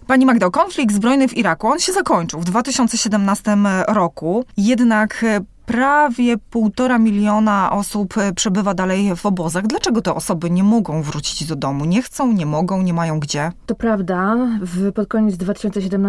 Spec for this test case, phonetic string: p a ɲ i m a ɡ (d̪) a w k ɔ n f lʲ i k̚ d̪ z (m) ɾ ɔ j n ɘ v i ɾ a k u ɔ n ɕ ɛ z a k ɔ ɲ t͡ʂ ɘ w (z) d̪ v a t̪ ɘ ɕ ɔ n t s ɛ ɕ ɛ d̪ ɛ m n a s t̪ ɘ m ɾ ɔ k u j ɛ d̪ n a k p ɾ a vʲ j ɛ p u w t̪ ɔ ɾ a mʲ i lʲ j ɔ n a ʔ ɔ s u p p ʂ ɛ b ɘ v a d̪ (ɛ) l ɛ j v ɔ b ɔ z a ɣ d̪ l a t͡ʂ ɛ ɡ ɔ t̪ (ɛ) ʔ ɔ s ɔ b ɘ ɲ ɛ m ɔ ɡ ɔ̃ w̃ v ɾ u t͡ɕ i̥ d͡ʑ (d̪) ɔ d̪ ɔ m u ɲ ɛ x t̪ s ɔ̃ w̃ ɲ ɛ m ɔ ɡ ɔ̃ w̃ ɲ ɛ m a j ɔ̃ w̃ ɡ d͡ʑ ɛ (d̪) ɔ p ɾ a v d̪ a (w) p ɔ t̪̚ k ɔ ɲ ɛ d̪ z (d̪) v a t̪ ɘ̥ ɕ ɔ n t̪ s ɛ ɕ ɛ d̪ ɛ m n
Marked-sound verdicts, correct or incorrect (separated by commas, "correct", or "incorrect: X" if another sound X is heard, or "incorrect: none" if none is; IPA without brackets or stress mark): correct, incorrect: b, incorrect: v, incorrect: a, correct, correct, incorrect: t̪, incorrect: v, correct